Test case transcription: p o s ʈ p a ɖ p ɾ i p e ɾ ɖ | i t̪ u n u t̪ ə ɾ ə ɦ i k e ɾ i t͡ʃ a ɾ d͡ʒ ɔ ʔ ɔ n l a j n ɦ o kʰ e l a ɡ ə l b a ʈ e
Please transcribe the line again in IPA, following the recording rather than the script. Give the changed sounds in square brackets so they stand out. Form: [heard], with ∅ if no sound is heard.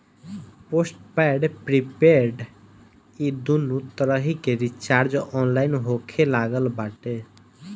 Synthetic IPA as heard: p o s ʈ p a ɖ p ɾ i p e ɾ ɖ | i [d̪] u n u t̪ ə ɾ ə ɦ i k e ɾ i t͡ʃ a ɾ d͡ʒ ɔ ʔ ɔ n l a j n ɦ o kʰ e l a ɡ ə l b a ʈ e